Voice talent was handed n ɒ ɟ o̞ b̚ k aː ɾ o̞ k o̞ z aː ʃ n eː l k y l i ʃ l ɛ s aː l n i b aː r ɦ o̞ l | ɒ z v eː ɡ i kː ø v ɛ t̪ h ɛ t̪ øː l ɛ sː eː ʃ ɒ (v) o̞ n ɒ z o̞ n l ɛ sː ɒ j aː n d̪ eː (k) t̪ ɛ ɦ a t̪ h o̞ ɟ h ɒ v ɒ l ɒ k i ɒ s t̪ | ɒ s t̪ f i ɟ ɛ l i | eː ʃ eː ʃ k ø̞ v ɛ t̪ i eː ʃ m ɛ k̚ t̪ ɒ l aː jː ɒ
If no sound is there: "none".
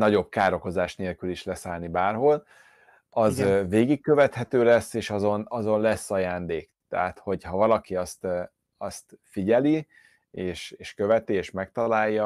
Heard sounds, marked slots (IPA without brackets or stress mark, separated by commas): z, k